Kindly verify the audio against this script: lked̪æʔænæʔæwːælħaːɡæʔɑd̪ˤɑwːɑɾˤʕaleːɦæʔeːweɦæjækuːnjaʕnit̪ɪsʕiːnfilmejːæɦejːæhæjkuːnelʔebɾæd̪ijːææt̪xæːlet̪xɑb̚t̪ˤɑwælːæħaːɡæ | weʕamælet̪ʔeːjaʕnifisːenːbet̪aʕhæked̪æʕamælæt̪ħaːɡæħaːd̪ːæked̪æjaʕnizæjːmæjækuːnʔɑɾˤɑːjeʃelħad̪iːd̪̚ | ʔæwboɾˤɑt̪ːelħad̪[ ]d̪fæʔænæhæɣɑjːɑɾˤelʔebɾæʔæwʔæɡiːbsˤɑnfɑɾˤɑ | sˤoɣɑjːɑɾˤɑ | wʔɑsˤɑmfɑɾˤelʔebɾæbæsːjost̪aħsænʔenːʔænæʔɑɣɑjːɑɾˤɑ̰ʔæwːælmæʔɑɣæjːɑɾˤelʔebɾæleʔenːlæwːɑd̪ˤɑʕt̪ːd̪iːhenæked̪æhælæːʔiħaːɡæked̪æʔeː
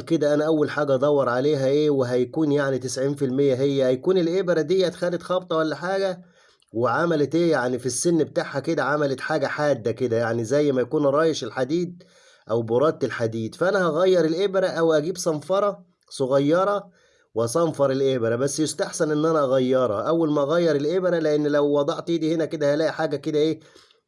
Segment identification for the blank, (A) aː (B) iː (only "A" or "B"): B